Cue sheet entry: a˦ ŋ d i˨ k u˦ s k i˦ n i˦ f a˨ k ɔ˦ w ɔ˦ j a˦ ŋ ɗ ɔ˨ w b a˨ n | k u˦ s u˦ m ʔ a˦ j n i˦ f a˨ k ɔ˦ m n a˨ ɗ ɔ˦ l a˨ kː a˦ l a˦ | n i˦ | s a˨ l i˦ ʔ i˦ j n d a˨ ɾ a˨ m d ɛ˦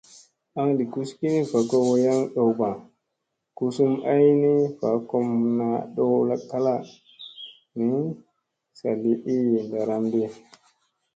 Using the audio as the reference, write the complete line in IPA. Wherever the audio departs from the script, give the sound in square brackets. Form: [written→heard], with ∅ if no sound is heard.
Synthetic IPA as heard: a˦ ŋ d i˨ k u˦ s k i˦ n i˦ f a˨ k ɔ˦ w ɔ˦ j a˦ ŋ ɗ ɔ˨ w b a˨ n | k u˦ s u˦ m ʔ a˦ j n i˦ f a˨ k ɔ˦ m n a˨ ɗ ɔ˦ l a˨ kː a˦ l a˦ | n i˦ | s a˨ l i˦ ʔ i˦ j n d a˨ ɾ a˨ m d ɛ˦